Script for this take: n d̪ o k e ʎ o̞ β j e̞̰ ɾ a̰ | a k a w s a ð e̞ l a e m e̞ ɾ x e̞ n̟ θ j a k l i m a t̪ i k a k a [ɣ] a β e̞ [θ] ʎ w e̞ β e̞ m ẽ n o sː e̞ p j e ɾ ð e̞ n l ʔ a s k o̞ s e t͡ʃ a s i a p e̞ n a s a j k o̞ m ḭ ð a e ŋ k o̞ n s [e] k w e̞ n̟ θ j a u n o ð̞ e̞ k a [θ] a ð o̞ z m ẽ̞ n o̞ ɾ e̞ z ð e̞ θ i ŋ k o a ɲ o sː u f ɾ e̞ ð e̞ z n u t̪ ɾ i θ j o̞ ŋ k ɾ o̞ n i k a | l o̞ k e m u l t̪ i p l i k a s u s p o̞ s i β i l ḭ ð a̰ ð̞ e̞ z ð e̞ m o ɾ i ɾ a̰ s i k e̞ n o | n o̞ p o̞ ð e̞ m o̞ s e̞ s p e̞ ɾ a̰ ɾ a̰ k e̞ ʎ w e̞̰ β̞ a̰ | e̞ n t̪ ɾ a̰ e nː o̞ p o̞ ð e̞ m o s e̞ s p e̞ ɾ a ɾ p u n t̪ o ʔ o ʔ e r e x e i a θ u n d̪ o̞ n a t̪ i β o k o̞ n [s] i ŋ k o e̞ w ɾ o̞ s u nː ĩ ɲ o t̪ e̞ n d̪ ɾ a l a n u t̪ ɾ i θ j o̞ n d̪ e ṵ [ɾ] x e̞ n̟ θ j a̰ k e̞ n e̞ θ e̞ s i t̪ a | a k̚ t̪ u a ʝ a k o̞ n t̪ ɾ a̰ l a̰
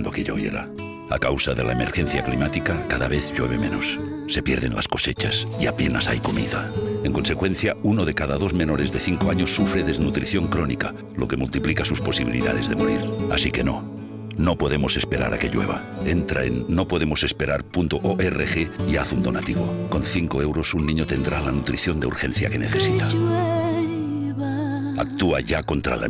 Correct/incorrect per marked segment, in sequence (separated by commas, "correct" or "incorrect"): incorrect, correct, correct, incorrect, incorrect, correct